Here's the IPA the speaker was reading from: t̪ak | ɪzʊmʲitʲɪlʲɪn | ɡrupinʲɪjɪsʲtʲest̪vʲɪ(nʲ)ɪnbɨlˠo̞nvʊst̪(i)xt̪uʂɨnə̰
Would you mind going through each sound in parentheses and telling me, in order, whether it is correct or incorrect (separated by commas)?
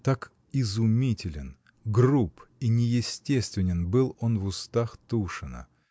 correct, incorrect